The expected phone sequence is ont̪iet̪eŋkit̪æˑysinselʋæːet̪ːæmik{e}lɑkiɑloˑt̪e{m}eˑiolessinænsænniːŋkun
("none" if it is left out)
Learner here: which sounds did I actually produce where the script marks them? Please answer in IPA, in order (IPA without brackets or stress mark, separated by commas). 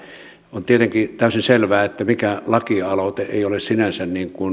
æ, none